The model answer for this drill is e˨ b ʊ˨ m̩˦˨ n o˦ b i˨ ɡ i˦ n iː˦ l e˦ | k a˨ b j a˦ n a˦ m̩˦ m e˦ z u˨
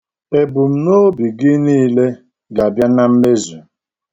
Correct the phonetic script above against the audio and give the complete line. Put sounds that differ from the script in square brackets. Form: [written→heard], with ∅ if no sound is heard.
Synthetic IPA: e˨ b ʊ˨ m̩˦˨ n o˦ b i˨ ɡ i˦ n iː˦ l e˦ | [k→ɡ] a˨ b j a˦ n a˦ m̩˦ m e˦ z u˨